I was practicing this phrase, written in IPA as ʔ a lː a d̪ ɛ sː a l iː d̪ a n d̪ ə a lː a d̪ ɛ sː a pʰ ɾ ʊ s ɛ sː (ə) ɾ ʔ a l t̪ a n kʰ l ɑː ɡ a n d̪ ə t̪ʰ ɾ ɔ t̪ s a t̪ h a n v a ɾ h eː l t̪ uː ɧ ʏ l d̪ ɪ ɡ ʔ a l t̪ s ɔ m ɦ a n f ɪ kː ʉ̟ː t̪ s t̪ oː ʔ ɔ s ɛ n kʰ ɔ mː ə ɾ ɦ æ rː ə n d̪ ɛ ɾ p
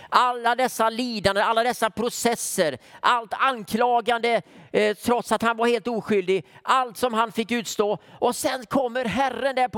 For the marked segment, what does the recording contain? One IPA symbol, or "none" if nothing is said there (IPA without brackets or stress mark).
ə